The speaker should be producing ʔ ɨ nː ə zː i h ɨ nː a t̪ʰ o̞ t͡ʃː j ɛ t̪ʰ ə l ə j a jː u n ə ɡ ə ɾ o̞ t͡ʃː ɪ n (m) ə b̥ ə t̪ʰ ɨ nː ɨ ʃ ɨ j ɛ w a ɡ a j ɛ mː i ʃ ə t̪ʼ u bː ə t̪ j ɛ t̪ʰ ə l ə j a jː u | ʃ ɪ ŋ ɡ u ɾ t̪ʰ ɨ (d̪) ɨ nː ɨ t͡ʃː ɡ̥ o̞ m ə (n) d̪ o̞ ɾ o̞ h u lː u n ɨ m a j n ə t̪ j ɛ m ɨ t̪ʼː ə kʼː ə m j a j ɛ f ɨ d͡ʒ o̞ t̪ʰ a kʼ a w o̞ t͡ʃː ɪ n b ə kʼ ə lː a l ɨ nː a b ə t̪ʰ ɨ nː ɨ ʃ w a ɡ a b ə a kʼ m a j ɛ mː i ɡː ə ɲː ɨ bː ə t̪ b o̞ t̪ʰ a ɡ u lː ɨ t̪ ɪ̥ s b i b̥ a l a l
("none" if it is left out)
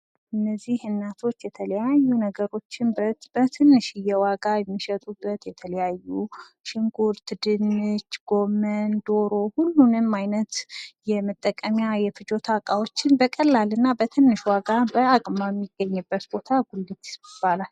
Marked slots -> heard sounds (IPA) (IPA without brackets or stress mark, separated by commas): b, d̪, n